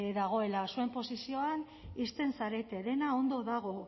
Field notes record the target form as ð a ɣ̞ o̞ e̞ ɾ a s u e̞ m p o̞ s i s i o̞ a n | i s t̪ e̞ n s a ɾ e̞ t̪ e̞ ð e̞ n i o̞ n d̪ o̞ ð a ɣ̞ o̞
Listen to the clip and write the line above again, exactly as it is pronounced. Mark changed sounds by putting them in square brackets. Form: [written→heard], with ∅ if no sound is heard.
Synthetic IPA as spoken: ð a ɣ̞ o̞ e̞ [ɾ→l] a s u e̞ m p o̞ s i s i o̞ a n | i s t̪ e̞ n s a ɾ e̞ t̪ e̞ ð e̞ n [i→a] o̞ n d̪ o̞ ð a ɣ̞ o̞